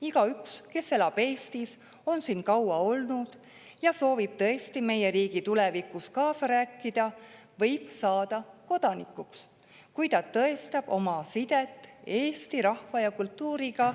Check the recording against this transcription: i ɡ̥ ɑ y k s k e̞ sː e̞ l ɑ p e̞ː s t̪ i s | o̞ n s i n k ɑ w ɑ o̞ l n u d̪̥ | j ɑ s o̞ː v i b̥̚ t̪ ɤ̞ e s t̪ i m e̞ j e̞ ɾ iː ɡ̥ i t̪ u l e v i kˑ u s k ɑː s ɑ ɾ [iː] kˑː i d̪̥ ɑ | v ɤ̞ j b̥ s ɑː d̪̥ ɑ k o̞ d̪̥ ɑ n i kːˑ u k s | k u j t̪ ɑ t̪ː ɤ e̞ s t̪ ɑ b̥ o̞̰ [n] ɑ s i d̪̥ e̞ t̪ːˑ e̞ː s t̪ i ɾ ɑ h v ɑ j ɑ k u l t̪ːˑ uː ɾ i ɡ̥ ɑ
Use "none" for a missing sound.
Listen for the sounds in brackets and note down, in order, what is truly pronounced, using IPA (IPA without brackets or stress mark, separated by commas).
æː, m